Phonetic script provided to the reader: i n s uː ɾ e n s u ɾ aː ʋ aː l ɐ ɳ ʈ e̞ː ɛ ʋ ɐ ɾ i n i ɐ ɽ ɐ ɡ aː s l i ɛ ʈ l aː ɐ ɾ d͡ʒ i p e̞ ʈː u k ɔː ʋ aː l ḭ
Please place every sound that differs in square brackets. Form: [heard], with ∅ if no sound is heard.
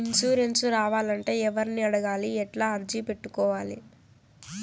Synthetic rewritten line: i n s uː ɾ e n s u ɾ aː ʋ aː l ɐ ɳ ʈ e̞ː ɛ ʋ ɐ ɾ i n i ɐ ɽ ɐ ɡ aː [∅] l i ɛ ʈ l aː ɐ ɾ d͡ʒ i p e̞ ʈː u k ɔː ʋ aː l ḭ

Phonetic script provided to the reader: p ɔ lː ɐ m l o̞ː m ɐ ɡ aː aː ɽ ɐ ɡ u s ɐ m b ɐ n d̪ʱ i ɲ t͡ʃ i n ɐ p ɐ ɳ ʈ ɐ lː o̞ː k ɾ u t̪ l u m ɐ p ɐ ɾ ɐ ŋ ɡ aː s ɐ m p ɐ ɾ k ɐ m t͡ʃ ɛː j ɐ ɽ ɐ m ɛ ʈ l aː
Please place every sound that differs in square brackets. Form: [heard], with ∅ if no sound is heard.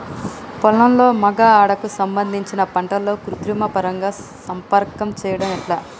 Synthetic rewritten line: p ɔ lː ɐ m l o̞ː m ɐ ɡ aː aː ɽ ɐ [k] u s ɐ m b ɐ n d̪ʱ i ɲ t͡ʃ i n ɐ p ɐ ɳ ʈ ɐ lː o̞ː k ɾ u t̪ [ɾ] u m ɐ p ɐ ɾ ɐ ŋ ɡ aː s ɐ m p ɐ ɾ k ɐ m t͡ʃ ɛː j ɐ ɽ ɐ m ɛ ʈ l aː

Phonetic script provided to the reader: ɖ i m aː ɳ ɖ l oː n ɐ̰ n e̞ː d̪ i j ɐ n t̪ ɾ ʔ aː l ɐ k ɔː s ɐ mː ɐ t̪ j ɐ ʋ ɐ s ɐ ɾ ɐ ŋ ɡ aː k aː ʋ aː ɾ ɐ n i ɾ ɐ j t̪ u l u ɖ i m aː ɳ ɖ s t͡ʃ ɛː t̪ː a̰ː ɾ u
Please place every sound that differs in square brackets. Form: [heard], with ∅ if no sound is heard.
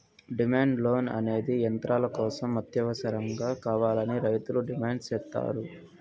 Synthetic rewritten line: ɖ i m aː ɳ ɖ l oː n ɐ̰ n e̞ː d̪ i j ɐ n t̪ ɾ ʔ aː l ɐ k ɔː s ɐ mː ɐ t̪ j ɐ ʋ ɐ s ɐ ɾ ɐ ŋ ɡ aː k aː ʋ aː [l] ɐ n i ɾ ɐ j t̪ u l u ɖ i m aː ɳ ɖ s t͡ʃ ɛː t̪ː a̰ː ɾ u

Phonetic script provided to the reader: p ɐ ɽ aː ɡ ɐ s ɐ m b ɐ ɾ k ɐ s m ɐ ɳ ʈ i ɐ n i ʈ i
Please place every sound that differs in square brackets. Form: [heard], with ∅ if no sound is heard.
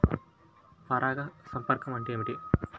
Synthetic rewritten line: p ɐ [ɾ] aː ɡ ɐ s ɐ m [p] ɐ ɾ k ɐ [∅] m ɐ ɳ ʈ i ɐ [m] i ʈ i

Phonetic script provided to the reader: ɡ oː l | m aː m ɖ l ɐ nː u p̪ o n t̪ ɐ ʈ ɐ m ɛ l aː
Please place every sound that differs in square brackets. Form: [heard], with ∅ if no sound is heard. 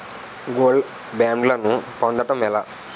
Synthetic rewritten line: ɡ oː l | [b] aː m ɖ l ɐ [n] u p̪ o n [d̪] ɐ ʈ ɐ m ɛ l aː

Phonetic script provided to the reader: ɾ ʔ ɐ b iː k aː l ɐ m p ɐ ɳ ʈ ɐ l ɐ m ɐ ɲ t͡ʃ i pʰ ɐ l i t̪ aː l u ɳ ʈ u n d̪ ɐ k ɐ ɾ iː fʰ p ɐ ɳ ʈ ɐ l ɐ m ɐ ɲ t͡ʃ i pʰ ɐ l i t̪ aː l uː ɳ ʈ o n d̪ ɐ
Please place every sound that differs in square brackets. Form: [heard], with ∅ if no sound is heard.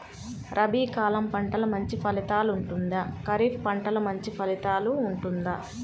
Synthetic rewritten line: ɾ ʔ ɐ b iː k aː l ɐ m p ɐ ɳ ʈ ɐ l ɐ m ɐ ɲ t͡ʃ i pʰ ɐ l i t̪ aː l u ɳ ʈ u n d̪ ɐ k ɐ ɾ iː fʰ p ɐ ɳ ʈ ɐ l ɐ m ɐ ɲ t͡ʃ i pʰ ɐ l i t̪ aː l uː ɳ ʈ [u] n d̪ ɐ

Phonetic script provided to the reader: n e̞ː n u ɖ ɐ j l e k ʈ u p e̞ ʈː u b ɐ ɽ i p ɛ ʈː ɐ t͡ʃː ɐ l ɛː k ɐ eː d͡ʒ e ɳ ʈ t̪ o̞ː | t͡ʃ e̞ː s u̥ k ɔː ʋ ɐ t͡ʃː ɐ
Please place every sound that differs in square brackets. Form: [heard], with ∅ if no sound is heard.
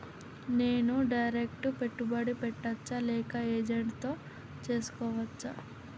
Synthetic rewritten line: n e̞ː n u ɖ ɐ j [ɾ] e k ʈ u p e̞ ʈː u b ɐ ɽ i p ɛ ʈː ɐ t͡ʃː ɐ l ɛː k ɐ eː d͡ʒ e ɳ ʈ t̪ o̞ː | t͡ʃ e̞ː s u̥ k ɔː ʋ ɐ t͡ʃː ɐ

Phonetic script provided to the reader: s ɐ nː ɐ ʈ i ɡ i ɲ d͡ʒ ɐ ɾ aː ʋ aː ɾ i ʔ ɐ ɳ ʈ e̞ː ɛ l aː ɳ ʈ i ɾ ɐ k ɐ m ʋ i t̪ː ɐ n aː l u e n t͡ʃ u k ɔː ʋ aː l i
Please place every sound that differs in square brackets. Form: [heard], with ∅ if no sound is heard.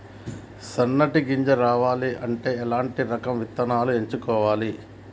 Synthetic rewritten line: s ɐ nː ɐ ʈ i ɡ i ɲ d͡ʒ ɐ ɾ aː ʋ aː [l] i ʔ ɐ ɳ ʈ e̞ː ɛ l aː ɳ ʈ i ɾ ɐ k ɐ m ʋ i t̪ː ɐ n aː l u e [ɲ] t͡ʃ u k ɔː ʋ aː l i

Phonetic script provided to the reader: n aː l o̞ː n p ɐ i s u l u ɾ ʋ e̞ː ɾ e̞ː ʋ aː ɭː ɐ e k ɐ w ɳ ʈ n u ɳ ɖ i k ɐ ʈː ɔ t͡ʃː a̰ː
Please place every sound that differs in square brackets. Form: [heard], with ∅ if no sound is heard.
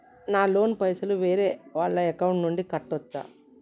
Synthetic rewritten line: n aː l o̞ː n p ɐ [j] s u l u [∅] ʋ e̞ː ɾ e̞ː ʋ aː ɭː ɐ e k ɐ w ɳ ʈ n u ɳ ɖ i k ɐ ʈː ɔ t͡ʃː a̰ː

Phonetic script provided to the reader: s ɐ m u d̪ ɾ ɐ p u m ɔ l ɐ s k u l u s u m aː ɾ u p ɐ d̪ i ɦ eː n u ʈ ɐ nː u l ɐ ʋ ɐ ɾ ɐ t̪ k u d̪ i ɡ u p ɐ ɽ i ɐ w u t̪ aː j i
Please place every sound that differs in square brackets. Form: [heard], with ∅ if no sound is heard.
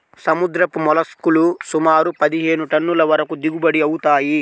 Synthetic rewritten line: s ɐ m u d̪ ɾ ɐ p u m ɔ l ɐ s k u l u s u m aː ɾ u p ɐ d̪ i ɦ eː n u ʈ ɐ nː u l ɐ ʋ ɐ ɾ ɐ [∅] k u d̪ i ɡ u [b] ɐ ɽ i ɐ w u t̪ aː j i

